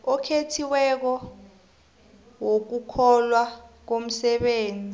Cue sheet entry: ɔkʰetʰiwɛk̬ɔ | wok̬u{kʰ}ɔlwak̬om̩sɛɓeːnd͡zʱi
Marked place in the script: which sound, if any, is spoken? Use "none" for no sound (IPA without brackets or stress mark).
kʰ